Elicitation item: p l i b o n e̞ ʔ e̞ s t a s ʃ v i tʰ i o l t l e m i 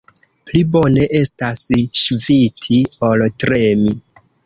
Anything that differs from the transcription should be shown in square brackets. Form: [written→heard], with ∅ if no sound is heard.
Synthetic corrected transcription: p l i b o n e̞ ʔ e̞ s t a s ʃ v i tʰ i o l t [l→ɾ] e m i

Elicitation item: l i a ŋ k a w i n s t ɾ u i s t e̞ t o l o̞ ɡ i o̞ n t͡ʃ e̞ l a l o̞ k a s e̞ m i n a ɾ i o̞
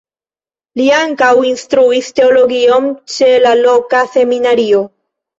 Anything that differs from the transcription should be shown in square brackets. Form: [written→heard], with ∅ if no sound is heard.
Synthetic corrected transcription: l i a ŋ k a w i n s t ɾ u i s t e̞ [t→∅] o l o̞ ɡ i o̞ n t͡ʃ e̞ l a l o̞ k a s e̞ m i n a ɾ i o̞

